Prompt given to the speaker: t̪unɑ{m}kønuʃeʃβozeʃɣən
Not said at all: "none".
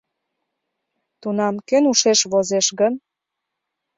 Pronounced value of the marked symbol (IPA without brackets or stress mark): m